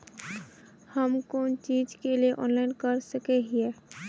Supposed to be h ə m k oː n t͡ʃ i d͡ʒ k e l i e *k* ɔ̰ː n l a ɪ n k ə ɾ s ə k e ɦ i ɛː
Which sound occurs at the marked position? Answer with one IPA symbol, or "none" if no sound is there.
ʔ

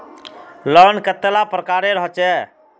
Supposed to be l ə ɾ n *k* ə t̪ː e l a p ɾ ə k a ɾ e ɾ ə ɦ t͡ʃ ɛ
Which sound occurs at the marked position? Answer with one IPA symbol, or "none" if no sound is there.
k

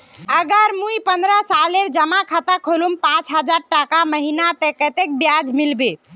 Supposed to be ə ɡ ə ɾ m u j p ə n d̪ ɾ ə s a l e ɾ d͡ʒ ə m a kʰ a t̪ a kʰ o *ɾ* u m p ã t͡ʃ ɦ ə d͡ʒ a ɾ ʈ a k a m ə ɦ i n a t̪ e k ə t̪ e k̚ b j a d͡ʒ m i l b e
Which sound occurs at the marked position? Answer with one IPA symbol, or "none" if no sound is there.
l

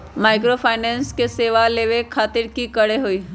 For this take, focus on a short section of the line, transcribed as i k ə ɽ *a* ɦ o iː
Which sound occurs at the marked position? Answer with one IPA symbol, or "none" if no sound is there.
e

